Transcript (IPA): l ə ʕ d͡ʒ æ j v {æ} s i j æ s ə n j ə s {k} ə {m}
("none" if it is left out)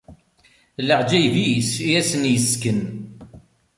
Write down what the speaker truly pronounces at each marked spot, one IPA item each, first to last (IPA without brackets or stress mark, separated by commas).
i, k, n